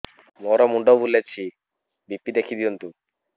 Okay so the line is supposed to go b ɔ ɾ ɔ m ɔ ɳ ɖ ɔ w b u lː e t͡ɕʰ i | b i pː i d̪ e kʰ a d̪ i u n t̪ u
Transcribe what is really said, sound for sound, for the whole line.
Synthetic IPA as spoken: m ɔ ɾ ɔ m u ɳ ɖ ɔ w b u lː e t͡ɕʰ i | b i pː i d̪ e kʰ i d̪ i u n t̪ u